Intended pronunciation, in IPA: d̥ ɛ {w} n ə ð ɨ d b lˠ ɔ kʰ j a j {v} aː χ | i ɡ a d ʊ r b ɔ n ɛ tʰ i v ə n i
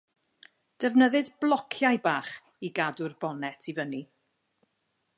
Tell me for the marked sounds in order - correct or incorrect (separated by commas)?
incorrect, incorrect